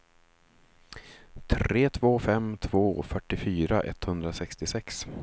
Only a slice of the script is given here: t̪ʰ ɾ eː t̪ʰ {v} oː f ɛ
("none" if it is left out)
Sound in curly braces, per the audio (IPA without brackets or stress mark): v